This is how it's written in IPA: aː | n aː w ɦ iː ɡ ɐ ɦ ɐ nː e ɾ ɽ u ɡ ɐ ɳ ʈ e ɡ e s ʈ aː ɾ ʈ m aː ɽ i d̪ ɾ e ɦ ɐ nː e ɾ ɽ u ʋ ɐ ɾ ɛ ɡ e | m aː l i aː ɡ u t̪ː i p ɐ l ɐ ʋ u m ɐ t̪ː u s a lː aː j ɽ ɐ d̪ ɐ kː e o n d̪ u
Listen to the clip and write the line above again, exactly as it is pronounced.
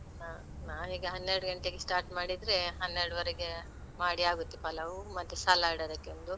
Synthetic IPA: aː | n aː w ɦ iː ɡ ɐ ɦ ɐ nː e ɾ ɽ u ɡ ɐ ɳ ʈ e ɡ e s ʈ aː ɾ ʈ m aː ɽ i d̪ ɾ e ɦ ɐ nː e ɾ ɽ u ʋ ɐ ɾ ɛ ɡ e | m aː ɽ i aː ɡ u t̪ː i p ɐ l ɐ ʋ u m ɐ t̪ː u s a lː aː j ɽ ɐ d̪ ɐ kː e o n d̪ u